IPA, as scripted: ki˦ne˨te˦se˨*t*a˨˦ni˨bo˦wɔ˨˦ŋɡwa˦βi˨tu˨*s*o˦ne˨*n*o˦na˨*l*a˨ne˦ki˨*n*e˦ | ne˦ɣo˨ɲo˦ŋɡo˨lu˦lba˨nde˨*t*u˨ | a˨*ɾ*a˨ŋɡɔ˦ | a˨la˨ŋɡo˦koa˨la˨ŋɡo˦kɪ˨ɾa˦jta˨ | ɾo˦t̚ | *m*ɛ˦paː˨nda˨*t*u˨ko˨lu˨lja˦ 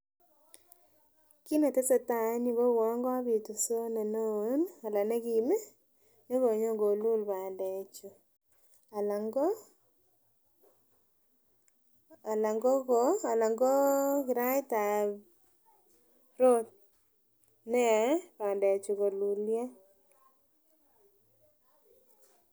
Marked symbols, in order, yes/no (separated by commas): yes, yes, yes, yes, no, no, no, no, no